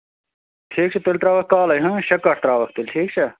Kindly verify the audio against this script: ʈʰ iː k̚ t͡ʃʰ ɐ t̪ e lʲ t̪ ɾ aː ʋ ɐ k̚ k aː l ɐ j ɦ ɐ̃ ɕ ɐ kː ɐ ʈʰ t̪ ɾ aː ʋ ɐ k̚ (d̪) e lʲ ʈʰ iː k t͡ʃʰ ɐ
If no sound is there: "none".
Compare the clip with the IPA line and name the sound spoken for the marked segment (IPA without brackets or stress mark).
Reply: t̪